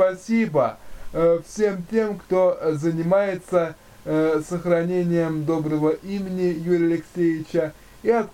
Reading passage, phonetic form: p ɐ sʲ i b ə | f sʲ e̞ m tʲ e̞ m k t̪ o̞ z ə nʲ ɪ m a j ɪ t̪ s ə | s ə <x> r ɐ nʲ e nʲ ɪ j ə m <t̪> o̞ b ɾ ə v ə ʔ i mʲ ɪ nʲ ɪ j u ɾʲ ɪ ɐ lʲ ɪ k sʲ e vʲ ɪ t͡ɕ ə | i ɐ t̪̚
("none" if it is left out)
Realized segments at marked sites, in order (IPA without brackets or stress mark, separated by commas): x, d̪